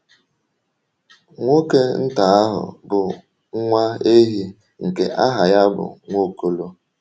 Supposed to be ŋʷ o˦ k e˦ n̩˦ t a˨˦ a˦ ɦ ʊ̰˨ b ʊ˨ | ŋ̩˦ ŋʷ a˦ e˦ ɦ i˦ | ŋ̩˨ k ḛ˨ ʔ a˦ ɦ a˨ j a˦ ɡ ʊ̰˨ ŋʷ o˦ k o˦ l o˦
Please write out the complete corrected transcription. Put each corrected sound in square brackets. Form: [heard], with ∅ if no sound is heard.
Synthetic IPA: ŋʷ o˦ k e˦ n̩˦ t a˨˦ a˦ ɦ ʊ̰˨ b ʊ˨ | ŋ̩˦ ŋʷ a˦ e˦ ɦ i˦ | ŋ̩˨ k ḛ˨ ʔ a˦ ɦ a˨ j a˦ [b] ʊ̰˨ ŋʷ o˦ k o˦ l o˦